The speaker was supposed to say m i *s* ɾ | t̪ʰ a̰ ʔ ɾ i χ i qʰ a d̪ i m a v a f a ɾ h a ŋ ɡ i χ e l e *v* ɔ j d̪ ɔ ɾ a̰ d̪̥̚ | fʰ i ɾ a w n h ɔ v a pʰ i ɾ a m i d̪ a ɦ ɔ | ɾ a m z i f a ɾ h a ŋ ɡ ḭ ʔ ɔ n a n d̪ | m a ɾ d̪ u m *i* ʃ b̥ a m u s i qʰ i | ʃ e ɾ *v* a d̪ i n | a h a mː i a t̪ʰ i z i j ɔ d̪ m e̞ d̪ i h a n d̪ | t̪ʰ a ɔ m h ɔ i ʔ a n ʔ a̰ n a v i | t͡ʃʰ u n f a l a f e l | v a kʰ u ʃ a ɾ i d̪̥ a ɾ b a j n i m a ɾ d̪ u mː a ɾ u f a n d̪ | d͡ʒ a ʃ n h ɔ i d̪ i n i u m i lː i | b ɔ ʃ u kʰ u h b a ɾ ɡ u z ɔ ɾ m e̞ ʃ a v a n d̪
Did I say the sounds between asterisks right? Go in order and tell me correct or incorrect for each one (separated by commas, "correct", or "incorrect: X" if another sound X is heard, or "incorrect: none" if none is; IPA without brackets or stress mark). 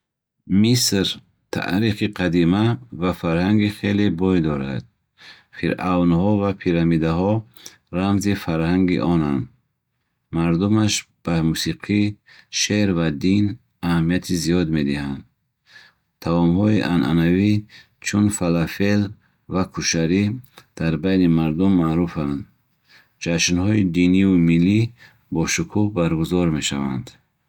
correct, incorrect: b, incorrect: a, correct